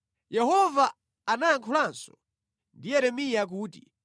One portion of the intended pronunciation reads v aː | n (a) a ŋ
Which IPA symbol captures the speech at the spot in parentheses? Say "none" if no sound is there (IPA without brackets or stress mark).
a